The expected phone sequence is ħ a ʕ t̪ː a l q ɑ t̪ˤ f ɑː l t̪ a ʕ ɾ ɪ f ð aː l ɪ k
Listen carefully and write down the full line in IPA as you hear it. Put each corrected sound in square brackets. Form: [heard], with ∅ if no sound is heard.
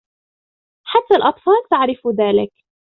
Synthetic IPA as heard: ħ a [∅] t̪ː a l [ʔ] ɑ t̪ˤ f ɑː l t̪ a ʕ ɾ ɪ f ð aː l ɪ k

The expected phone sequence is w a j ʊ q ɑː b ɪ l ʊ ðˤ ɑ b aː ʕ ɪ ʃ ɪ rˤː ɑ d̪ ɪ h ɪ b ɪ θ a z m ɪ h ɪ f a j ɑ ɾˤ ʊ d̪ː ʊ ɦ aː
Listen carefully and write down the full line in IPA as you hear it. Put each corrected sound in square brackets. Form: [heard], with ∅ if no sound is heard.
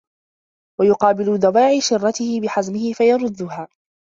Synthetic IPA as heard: w a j ʊ q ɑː b ɪ l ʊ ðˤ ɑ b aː ʕ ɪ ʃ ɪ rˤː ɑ [t̪] ɪ h ɪ b ɪ [ħ] a z m ɪ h ɪ f a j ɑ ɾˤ ʊ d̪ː ʊ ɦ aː

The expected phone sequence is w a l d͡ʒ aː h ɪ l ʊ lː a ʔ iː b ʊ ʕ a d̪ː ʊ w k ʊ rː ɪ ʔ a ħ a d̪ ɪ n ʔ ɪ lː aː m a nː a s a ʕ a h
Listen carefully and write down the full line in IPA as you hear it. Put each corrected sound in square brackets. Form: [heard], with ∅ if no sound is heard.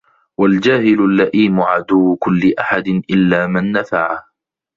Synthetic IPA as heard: w a l d͡ʒ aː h ɪ l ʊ lː a ʔ iː [m] ʊ ʕ a [d̪] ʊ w k ʊ [lː] ɪ ʔ a ħ a d̪ ɪ n ʔ ɪ lː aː m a nː a [f] a ʕ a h

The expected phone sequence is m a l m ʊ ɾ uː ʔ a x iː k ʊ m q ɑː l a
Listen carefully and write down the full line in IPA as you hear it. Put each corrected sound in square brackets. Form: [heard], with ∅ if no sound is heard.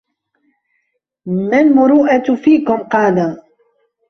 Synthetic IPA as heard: m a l m ʊ ɾ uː ʔ a [f] iː k ʊ m q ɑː l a

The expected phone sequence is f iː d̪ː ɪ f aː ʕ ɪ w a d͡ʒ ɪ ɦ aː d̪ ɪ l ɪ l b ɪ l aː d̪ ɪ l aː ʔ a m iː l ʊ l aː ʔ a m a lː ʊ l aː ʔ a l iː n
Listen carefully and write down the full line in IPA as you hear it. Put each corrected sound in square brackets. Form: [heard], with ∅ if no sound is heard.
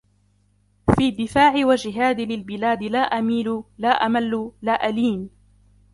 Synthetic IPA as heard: f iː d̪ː ɪ f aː ʕ ɪ w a d͡ʒ ɪ ɦ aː d̪ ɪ l ɪ l b ɪ l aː d̪ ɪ l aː ʔ a m iː l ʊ l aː ʔ a m a lː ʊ l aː ʔ a l iː n

